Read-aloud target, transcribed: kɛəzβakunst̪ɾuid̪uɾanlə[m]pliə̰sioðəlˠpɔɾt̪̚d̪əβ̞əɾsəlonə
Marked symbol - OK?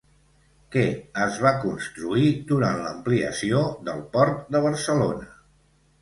yes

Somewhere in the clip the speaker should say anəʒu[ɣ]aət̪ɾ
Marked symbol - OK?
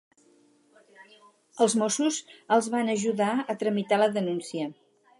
no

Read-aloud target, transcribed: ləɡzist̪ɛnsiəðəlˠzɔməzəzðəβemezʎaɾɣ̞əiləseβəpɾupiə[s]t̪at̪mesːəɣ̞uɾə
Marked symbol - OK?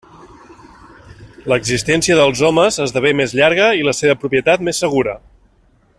no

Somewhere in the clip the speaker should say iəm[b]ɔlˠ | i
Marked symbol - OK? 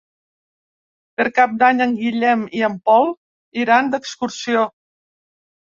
no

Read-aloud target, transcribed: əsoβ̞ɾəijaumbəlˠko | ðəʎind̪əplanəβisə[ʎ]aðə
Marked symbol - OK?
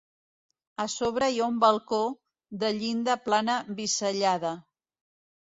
yes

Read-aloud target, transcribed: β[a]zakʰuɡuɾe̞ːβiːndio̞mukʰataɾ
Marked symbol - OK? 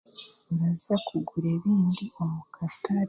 yes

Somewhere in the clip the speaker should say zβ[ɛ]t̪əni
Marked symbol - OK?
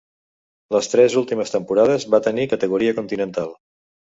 no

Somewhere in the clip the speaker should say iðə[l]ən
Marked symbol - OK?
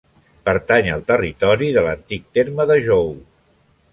yes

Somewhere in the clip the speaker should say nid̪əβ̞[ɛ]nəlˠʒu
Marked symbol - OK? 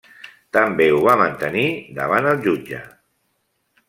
no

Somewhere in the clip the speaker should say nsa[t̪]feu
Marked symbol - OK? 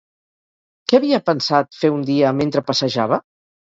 yes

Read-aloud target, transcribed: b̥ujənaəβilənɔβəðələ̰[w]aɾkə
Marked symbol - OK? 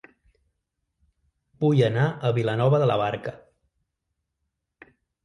no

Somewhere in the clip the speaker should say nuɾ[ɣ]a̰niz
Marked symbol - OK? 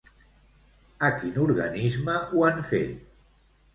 yes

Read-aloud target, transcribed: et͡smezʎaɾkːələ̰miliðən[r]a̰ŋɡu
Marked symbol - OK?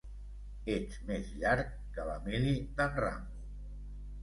yes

